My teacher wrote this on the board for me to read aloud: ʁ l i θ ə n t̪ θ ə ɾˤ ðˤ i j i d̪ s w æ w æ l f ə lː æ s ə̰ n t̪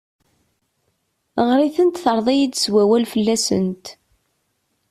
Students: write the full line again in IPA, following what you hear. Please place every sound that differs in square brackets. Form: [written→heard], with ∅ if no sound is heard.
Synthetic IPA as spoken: ʁ [l→ɾ] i θ ə n t̪ θ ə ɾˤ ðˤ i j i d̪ s w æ w æ l f ə lː æ s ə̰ n t̪